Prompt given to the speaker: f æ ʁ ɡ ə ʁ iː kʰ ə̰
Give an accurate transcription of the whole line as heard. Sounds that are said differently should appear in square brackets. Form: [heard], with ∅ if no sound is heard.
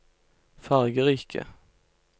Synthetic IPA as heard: f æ ʁ ɡ ə ʁ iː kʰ ə̰

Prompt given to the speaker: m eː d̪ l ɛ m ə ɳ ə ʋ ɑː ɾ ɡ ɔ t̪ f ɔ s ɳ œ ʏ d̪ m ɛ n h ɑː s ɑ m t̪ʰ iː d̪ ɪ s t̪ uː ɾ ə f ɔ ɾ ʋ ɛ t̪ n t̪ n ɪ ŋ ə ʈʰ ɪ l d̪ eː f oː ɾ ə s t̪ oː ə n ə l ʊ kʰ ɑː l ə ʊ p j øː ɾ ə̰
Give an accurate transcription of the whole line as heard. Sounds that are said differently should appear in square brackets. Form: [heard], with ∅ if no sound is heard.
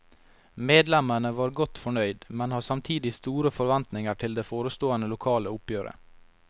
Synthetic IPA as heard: m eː d̪ l ɛ m ə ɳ ə ʋ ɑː ɾ ɡ ɔ t̪ f ɔ [∅] ɳ œ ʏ d̪ m ɛ n h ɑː s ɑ m t̪ʰ iː d̪ ɪ s t̪ uː ɾ ə f ɔ ɾ ʋ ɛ [∅] n t̪ n ɪ ŋ ə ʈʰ ɪ l d̪ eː f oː ɾ ə s t̪ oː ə n ə l ʊ kʰ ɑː l ə ʊ p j øː ɾ ə̰

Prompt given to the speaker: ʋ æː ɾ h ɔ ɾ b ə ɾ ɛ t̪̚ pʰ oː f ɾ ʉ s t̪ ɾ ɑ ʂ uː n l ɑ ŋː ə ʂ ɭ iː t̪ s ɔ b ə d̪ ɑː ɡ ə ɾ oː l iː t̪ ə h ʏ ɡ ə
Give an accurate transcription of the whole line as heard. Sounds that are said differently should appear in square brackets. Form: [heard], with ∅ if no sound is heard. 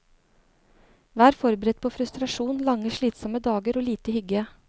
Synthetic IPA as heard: ʋ æː ɾ [f] ɔ ɾ b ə ɾ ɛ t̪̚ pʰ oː f ɾ ʉ s t̪ ɾ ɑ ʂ uː n l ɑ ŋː ə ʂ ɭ iː t̪ s ɔ [m] ə d̪ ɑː ɡ ə ɾ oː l iː t̪ ə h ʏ ɡ ə

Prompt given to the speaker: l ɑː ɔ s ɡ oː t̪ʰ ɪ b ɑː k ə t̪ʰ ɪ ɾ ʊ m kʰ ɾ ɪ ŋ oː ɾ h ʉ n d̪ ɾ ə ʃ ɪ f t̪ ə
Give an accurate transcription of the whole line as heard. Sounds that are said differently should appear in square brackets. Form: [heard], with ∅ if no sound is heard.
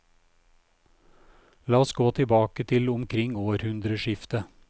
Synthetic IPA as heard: l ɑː ɔ s ɡ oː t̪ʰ ɪ b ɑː k ə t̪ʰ ɪ [l] ʊ m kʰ ɾ ɪ ŋ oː ɾ h ʉ n d̪ ɾ ə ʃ ɪ f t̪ ə

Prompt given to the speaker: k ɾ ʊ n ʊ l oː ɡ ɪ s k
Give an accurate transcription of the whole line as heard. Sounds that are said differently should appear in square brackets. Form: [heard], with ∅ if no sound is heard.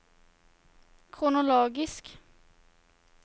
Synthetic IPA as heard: [kʰ] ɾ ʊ n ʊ l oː ɡ ɪ s k

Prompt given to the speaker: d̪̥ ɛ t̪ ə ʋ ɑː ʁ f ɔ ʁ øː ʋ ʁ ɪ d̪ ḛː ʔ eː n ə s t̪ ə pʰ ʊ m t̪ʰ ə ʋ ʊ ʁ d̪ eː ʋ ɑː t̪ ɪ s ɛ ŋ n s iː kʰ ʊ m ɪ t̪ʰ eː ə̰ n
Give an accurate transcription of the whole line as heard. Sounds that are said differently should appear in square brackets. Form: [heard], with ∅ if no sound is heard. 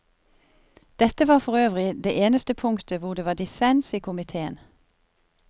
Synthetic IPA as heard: d̪̥ ɛ t̪ ə ʋ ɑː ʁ f ɔ ʁ øː ʋ ʁ ɪ d̪ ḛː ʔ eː n ə s t̪ ə pʰ ʊ [ŋ] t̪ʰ ə ʋ ʊ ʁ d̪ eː ʋ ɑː [d̪] ɪ s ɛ [∅] n s iː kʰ ʊ m ɪ t̪ʰ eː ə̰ n

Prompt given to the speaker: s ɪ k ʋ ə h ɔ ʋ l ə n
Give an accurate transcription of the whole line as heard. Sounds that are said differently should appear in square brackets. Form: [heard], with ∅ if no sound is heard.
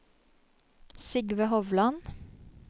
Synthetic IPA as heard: s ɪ [ɡ] ʋ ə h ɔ ʋ l [ɑ] n

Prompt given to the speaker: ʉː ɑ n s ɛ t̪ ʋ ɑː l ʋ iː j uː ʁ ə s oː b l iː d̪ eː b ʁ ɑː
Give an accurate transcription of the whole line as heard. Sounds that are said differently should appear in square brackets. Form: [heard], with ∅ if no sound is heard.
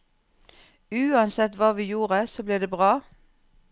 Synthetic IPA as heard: ʉː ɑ n s ɛ t̪ ʋ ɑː [∅] ʋ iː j uː ʁ ə s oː b l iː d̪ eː b ʁ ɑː

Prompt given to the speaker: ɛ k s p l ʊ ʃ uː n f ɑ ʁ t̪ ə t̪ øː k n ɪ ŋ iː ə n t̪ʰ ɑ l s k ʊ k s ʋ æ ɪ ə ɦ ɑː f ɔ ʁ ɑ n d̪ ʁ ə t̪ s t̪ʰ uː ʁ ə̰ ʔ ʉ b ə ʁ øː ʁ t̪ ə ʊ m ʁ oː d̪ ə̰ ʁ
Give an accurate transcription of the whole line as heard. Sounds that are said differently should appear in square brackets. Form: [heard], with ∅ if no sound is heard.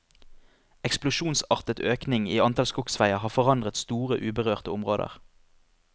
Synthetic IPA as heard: ɛ k s p l ʊ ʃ uː n [s] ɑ ʁ t̪ ə t̪ øː k n ɪ ŋ iː [ɑ] n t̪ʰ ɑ l s k ʊ k s ʋ æ ɪ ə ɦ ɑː f ɔ ʁ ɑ n d̪ ʁ ə t̪ s [t̪] uː ʁ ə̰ ʔ [ʉː] b ə ʁ øː ʁ t̪ ə ʊ m ʁ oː d̪ ə̰ ʁ

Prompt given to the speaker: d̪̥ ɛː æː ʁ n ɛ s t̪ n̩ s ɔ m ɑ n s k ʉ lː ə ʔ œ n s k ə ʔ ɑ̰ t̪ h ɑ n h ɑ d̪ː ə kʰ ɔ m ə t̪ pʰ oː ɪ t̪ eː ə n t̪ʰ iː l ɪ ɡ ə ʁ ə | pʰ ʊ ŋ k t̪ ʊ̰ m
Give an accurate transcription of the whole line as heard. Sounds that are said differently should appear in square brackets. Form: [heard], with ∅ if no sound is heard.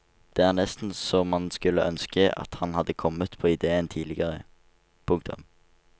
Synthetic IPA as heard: d̪̥ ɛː æː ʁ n ɛ s t̪ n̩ s ɔ m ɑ n s k ʉ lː ə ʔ œ n s k ə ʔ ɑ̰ t̪ h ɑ n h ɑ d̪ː ə kʰ ɔ m ə t̪ pʰ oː ɪ [d̪] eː ə n t̪ʰ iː l ɪ ɡ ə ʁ ə | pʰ ʊ ŋ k t̪ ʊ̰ m

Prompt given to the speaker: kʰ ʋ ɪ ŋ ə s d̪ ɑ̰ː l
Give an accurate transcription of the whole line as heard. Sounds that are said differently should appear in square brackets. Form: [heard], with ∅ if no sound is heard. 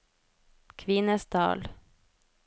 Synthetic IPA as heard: kʰ ʋ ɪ [n] ə s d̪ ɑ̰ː l

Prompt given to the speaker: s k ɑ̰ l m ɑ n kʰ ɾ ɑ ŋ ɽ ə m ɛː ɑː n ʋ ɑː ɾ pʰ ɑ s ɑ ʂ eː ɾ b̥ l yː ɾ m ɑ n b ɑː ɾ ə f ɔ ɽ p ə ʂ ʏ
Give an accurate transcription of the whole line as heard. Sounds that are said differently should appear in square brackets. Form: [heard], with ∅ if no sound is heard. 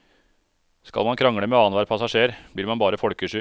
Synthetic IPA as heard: s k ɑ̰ l m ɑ n kʰ ɾ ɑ ŋ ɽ ə m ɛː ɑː n ʋ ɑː ɾ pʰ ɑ s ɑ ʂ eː ɾ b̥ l [iː] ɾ m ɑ n b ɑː ɾ ə f ɔ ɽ [k] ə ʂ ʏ

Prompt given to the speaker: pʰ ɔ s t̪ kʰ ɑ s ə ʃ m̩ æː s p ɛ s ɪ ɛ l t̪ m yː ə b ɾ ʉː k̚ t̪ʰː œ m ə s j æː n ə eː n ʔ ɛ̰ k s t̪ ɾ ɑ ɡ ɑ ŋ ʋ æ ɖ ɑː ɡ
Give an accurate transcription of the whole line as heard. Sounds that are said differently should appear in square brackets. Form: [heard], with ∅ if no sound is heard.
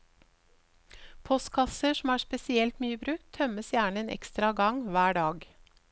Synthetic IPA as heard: pʰ ɔ s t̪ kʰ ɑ s ə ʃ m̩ æː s p ɛ s ɪ ɛ l t̪ m yː ə b ɾ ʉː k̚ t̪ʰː œ m ə s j æː [ɳ] ə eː n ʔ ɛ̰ k s t̪ ɾ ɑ ɡ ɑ ŋ ʋ [æː] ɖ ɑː ɡ

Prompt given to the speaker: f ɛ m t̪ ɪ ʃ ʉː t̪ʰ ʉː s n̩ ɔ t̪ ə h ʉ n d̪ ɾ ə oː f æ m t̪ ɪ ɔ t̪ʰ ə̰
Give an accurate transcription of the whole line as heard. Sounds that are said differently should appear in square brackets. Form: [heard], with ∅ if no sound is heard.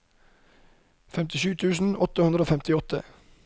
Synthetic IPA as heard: f ɛ m t̪ ɪ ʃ ʉː t̪ʰ ʉː s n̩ ɔ t̪ ə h ʉ n d̪ ɾ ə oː f [ɛ] m t̪ ɪ ɔ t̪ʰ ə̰

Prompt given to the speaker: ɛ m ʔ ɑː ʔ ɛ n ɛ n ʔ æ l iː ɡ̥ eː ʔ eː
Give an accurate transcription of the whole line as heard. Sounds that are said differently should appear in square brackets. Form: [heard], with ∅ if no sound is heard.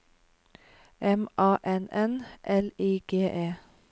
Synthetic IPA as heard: ɛ m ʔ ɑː ʔ ɛ n ɛ n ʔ [ɛ] l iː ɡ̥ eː ʔ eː

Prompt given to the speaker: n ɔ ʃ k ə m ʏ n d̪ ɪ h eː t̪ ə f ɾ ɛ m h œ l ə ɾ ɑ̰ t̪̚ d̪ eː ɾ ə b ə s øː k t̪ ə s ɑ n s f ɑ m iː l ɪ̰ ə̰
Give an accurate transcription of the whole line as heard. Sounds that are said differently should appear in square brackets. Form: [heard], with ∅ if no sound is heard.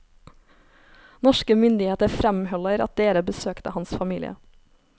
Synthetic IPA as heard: n ɔ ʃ k ə m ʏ n d̪ ɪ h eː t̪ ə f ɾ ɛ m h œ l ə ɾ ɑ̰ t̪̚ d̪ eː ɾ ə b ə s øː k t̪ ə [h] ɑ n s f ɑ m iː l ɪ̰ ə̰

